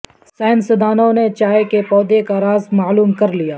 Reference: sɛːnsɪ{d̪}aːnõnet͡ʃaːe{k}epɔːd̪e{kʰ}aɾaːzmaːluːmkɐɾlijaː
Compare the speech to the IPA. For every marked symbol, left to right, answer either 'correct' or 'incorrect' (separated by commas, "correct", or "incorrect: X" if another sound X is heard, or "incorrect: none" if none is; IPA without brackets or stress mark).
correct, correct, incorrect: k